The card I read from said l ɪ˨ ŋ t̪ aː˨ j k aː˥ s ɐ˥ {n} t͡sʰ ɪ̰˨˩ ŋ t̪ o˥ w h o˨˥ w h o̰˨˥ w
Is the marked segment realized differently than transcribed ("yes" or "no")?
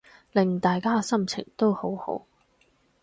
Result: yes